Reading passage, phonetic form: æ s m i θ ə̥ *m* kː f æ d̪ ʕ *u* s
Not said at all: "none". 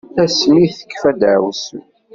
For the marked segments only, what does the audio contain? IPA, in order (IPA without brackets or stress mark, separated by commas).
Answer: none, w